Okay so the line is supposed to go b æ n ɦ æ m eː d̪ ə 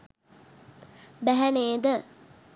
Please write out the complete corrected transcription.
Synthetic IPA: b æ ɦ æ n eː d̪ ə